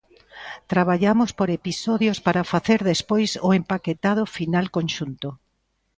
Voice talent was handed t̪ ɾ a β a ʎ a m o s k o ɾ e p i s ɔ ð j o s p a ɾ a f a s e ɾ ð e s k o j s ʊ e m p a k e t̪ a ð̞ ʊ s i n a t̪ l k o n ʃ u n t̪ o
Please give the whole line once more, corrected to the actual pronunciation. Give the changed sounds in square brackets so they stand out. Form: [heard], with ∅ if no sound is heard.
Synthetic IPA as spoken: t̪ ɾ a β a ʎ a m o s [p] o ɾ e p i s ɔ ð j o s p a ɾ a f a [θ] e ɾ ð e s [p] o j s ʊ e m p a k e t̪ a ð̞ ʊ [f] i n a [∅] l k o n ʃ u n t̪ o